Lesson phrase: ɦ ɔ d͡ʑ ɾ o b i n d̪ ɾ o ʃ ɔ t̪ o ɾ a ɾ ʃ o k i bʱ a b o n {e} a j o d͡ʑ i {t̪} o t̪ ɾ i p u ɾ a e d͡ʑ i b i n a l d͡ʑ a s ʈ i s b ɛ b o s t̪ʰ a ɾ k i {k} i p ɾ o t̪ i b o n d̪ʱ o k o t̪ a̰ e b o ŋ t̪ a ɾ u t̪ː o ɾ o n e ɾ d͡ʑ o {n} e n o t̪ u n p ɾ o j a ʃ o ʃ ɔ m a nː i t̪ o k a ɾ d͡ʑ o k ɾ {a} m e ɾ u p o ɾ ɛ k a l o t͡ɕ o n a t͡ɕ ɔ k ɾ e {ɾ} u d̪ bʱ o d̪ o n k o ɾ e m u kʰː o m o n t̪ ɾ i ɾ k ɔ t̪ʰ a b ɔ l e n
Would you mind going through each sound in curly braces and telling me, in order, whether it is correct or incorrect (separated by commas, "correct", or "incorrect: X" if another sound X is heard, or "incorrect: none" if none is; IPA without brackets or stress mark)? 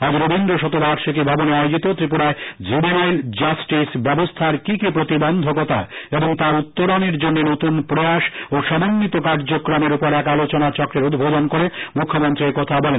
correct, correct, correct, incorrect: nː, correct, correct